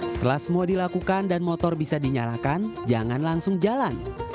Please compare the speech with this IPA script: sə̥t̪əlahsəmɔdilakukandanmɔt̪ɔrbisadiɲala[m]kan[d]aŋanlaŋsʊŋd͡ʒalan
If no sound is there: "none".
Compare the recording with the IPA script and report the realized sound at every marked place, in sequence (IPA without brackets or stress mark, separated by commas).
none, d͡ʒ